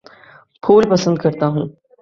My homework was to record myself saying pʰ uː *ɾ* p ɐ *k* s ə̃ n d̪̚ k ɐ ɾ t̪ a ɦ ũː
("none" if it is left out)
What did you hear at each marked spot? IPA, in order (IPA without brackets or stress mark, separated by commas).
l, none